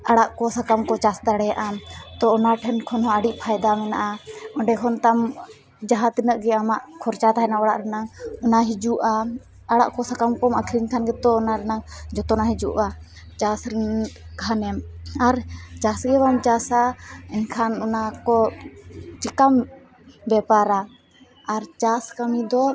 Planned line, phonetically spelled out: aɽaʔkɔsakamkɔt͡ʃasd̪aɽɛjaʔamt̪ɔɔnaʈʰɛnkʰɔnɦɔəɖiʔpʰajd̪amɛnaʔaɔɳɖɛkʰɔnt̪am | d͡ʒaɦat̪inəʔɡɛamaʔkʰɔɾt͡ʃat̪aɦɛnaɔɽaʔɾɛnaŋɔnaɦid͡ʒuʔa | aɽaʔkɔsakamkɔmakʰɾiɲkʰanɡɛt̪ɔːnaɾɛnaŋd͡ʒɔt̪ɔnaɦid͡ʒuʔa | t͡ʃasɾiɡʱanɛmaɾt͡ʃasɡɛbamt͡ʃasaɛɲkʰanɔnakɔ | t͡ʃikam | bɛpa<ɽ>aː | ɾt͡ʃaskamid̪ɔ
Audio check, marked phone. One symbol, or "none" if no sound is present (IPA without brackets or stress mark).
ɾ